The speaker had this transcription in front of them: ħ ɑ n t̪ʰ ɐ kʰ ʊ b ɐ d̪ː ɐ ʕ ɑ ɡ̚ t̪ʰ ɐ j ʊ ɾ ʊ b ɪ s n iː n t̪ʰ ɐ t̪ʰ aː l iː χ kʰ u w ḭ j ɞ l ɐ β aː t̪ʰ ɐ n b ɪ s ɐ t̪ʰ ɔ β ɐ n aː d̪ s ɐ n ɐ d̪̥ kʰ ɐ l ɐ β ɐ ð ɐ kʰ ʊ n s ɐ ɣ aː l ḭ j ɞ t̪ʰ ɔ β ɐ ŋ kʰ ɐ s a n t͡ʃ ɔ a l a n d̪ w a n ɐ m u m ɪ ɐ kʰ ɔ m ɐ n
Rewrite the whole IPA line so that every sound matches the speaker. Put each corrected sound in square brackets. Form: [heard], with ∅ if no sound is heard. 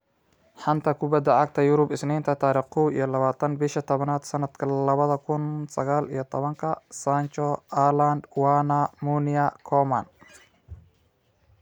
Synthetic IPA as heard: ħ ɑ n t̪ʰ ɐ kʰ ʊ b ɐ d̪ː ɐ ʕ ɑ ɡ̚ t̪ʰ ɐ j ʊ ɾ ʊ b ɪ s n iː n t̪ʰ ɐ t̪ʰ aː [ɾ] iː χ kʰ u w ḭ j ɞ l ɐ β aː t̪ʰ ɐ n b ɪ [ʃ] ɐ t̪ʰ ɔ β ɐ n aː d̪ s ɐ n ɐ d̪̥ kʰ ɐ l ɐ β ɐ ð ɐ kʰ ʊ n s ɐ ɣ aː l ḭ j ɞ t̪ʰ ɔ β ɐ ŋ kʰ ɐ s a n t͡ʃ ɔ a l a n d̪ w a n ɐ m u [n] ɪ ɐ kʰ ɔ m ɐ n